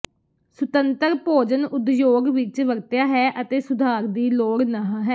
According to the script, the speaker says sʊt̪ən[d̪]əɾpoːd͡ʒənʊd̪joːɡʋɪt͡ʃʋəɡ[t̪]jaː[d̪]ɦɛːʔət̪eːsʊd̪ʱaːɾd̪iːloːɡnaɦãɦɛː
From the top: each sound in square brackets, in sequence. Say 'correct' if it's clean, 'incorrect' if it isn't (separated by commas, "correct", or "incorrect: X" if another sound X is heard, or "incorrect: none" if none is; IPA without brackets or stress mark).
incorrect: t̪, correct, incorrect: none